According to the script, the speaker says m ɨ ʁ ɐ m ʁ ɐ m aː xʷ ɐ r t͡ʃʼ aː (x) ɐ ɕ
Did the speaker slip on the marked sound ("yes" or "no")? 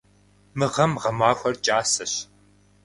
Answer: yes